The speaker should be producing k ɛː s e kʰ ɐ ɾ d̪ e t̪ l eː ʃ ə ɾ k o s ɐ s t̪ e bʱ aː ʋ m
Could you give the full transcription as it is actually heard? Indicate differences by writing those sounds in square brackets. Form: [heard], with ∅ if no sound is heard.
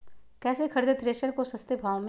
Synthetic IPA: k ɛː s e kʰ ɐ ɾ d̪ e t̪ [ɾ] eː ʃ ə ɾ k o s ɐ s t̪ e bʱ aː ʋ m